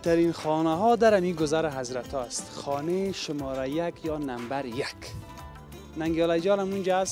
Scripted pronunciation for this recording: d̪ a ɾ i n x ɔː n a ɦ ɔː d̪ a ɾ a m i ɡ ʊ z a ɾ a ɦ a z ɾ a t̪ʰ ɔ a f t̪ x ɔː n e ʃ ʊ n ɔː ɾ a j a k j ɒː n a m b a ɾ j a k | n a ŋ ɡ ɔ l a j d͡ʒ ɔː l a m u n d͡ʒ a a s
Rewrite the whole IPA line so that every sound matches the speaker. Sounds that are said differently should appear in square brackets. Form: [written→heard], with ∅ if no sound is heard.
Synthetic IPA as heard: [d̪→t̪] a ɾ i n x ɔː n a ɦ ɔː d̪ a ɾ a m i ɡ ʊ z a ɾ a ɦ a z ɾ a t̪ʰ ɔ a [f→s] t̪ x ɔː n e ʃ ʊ [n→m] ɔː ɾ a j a k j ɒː n a m b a ɾ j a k | n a ŋ ɡ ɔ l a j d͡ʒ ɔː l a m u n d͡ʒ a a s